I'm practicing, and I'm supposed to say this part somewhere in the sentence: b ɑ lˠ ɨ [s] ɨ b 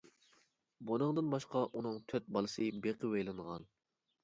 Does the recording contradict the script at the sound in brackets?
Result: no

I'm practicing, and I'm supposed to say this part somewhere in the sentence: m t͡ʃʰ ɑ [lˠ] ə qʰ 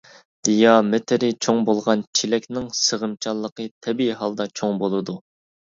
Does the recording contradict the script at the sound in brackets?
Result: yes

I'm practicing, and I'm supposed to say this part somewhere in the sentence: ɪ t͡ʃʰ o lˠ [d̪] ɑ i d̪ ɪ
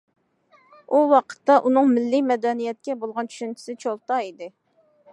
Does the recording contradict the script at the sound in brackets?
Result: yes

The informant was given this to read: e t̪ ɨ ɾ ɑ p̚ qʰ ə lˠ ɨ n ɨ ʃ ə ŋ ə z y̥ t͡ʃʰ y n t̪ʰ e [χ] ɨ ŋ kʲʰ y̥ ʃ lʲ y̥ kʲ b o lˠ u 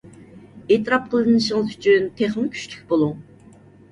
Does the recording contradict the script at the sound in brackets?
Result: no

